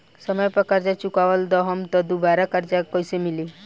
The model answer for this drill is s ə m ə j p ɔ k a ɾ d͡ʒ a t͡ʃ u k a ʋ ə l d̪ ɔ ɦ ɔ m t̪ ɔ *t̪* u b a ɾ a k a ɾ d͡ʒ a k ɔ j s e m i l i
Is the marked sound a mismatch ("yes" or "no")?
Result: yes